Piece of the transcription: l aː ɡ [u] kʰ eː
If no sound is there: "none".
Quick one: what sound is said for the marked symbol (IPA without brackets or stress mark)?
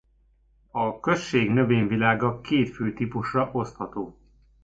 ɒ